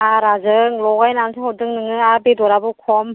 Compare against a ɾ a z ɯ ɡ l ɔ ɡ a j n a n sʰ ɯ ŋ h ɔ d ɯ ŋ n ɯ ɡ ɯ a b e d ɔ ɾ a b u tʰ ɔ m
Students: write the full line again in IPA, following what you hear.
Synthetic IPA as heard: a ɾ a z ɯ ŋ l ɔ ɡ a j n a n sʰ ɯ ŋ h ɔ d ɯ ŋ n ɯ ŋ ɯ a b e d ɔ ɾ a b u kʰ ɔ m